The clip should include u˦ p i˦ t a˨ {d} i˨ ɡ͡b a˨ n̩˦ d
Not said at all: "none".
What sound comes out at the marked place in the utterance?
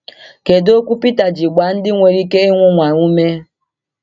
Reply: d͡ʒ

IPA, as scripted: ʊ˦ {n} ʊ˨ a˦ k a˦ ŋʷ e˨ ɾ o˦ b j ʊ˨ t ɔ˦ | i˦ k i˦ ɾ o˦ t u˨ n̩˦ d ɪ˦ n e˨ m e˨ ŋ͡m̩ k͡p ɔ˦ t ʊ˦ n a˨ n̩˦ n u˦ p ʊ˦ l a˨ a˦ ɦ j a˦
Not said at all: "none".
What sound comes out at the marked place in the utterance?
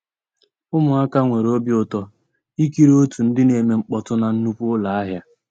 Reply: m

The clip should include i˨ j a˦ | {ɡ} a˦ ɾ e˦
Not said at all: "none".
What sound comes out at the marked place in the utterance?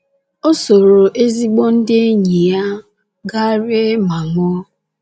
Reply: ɡ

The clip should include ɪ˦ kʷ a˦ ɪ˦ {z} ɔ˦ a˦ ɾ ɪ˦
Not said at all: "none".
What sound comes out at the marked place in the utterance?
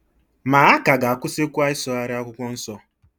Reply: s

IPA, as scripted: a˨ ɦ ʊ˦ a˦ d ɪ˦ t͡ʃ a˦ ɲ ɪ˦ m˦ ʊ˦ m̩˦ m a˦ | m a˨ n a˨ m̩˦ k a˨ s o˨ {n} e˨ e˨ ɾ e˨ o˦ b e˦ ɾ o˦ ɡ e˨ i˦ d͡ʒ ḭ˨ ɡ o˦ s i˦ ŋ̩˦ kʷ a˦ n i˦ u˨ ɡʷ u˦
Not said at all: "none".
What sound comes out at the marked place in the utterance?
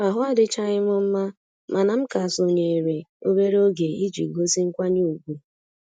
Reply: ɲ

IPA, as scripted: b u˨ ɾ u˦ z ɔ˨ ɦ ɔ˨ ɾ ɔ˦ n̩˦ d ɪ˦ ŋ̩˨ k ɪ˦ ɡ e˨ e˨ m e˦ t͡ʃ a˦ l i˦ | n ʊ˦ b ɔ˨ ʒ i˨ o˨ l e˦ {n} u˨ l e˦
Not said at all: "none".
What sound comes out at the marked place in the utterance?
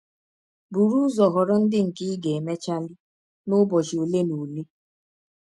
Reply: n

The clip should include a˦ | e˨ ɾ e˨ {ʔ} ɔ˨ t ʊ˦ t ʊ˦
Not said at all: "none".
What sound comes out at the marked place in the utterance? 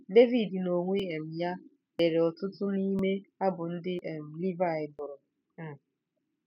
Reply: none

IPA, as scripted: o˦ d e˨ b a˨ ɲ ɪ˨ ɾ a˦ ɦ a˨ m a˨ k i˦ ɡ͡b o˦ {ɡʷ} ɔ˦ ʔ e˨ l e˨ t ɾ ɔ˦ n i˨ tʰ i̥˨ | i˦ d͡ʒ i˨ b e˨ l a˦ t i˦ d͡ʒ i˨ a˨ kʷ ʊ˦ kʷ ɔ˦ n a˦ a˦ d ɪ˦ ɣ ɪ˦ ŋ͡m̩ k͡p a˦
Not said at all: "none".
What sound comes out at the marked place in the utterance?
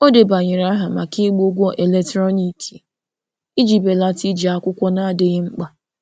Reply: ɡʷ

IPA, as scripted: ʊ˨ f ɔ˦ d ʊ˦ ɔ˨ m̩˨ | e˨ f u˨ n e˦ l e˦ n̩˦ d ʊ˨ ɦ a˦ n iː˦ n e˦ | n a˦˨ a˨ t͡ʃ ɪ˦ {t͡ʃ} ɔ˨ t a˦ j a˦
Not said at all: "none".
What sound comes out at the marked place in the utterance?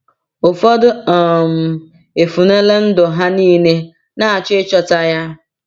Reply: t͡ʃ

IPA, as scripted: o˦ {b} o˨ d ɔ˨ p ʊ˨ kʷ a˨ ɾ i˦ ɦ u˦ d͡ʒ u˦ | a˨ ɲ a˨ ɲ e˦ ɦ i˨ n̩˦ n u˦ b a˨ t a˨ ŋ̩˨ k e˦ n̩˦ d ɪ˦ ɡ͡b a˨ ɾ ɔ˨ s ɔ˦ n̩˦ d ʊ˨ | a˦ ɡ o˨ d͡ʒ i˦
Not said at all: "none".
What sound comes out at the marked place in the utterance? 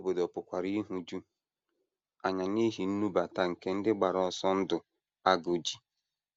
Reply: b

